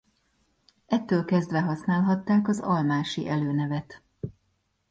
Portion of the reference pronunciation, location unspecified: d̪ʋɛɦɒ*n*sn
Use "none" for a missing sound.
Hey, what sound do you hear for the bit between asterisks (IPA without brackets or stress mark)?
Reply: none